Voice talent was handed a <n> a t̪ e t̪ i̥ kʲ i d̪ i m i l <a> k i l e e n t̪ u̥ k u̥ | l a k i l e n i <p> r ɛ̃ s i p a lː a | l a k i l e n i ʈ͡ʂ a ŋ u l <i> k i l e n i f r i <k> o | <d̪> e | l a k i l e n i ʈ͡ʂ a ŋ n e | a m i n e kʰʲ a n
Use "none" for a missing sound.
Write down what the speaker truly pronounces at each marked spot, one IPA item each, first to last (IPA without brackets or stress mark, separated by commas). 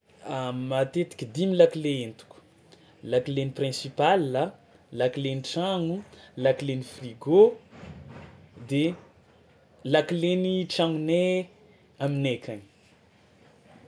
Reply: m, a, p, a, ɡ, d̪